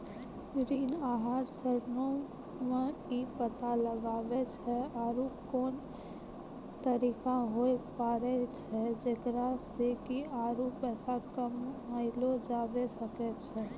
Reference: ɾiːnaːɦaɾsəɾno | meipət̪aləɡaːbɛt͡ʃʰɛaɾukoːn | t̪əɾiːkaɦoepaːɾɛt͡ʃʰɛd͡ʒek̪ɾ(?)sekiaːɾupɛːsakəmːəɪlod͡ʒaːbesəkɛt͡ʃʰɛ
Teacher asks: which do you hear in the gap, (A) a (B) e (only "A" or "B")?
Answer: A